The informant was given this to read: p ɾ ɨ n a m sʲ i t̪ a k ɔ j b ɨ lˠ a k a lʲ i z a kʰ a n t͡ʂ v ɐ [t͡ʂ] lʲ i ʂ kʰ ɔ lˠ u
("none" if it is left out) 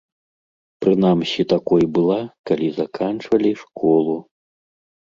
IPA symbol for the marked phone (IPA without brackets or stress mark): none